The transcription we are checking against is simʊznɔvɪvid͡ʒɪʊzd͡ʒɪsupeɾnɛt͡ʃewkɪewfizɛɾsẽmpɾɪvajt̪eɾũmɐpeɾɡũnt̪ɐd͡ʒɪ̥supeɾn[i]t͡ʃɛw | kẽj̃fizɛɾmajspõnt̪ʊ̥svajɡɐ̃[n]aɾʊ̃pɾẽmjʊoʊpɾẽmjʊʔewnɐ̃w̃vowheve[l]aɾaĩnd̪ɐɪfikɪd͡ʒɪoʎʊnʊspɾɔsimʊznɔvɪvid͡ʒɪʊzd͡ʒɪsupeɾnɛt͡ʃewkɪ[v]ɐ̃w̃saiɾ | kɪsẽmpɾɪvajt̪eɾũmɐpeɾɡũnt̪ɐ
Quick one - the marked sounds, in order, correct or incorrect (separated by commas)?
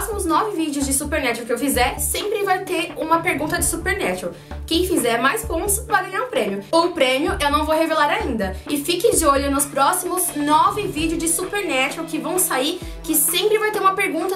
incorrect, incorrect, correct, correct